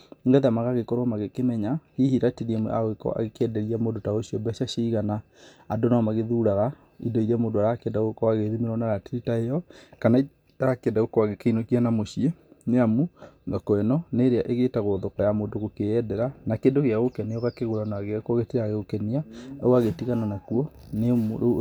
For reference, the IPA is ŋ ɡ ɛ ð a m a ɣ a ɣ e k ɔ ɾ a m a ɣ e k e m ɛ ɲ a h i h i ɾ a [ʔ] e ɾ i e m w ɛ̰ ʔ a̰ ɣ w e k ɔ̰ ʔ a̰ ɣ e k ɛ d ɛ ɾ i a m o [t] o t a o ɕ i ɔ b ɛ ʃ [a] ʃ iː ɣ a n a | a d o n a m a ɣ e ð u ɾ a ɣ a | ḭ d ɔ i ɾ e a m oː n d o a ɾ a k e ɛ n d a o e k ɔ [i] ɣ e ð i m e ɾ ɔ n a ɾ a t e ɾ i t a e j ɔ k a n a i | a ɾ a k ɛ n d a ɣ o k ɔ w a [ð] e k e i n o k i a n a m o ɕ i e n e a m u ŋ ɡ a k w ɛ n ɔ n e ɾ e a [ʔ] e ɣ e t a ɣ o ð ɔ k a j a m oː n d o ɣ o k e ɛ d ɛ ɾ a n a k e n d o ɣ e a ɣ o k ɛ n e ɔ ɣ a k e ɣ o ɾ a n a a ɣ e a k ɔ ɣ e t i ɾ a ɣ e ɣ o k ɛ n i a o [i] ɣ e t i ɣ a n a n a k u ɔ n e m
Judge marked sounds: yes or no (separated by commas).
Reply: no, no, yes, no, no, yes, no